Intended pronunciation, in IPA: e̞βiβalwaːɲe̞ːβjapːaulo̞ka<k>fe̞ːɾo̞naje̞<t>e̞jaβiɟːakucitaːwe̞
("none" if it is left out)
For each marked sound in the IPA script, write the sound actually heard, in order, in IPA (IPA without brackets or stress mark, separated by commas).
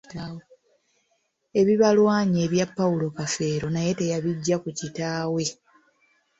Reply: none, t